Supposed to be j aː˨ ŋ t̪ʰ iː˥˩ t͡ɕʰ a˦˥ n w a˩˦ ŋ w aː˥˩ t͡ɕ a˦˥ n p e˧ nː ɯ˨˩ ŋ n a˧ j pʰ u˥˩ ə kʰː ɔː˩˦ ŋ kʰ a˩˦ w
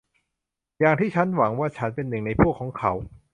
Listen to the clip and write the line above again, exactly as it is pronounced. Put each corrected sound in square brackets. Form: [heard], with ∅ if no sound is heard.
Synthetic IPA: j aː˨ ŋ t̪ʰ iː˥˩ t͡ɕʰ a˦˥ n w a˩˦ ŋ w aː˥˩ [t͡ɕʰ] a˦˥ n p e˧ nː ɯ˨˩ ŋ n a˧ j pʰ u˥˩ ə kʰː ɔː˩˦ ŋ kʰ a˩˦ w